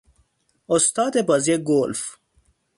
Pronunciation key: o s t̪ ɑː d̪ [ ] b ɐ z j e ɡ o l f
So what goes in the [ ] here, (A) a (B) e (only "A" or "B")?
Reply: B